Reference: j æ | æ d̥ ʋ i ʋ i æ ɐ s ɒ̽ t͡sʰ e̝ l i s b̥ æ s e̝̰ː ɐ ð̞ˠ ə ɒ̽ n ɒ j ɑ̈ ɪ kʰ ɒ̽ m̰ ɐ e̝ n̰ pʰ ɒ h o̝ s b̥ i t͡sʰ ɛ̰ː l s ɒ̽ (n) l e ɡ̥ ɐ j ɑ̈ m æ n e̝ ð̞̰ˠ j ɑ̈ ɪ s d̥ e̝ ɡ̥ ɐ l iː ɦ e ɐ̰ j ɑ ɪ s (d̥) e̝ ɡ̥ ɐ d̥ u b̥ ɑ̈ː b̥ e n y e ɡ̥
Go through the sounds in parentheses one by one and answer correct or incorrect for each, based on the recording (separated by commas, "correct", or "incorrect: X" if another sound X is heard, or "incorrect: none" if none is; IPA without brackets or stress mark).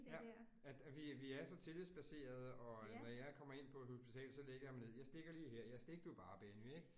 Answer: incorrect: none, correct